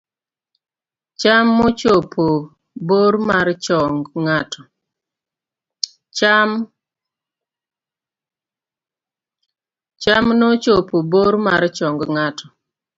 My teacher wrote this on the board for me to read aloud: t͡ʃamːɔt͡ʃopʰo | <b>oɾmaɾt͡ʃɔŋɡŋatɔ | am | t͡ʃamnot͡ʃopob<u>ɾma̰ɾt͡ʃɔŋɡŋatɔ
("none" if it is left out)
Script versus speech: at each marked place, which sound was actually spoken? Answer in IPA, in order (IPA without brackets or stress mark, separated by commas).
b, o